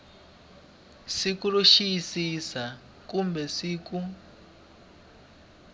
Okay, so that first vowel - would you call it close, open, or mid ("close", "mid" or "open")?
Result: close